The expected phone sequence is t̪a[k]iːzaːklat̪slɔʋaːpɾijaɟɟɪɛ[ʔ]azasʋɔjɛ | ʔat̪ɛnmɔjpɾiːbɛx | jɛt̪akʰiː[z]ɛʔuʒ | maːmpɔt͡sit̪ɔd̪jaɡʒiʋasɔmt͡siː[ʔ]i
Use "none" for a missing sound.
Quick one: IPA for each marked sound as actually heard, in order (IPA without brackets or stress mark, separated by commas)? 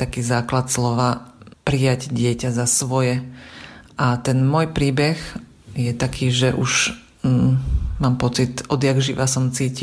k, c, ʒ, c